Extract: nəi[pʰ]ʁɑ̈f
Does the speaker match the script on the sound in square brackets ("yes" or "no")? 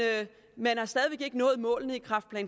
no